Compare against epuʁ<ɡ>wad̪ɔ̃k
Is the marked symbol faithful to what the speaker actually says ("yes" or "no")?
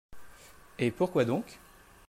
no